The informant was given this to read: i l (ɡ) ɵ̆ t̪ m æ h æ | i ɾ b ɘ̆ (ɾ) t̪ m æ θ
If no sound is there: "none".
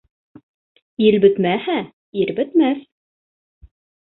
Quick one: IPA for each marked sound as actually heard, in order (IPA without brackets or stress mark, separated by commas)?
b, none